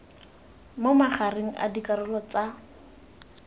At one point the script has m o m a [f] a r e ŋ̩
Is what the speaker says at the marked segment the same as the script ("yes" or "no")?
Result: no